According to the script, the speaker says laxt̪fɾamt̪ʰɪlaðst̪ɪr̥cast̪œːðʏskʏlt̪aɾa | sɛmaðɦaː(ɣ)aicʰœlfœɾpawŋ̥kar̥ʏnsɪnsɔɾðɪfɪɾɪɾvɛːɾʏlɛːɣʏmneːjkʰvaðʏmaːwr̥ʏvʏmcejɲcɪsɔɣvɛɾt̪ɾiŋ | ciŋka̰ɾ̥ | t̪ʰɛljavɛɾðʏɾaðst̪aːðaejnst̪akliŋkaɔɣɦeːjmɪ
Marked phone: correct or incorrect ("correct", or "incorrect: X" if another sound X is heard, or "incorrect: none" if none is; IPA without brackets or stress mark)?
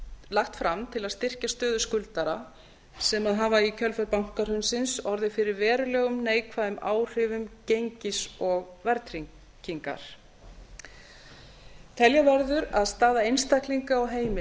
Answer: incorrect: v